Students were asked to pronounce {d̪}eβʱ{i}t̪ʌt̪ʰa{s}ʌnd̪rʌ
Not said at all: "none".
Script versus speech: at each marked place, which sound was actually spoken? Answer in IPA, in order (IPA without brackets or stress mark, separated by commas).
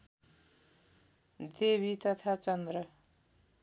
d̪, i, t͡s